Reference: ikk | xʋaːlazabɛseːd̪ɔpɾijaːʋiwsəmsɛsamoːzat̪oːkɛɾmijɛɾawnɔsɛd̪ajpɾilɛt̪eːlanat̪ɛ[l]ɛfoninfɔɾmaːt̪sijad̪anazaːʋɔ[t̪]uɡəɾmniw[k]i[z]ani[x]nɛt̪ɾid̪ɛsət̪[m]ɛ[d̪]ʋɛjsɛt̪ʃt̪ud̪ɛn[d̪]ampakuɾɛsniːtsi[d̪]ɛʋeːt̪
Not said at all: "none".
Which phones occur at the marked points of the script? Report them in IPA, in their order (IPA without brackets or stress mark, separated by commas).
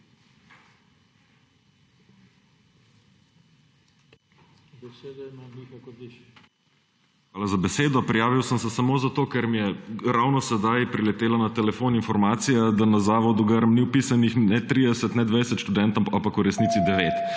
l, d̪, p, s, x, n, d̪, t̪, d̪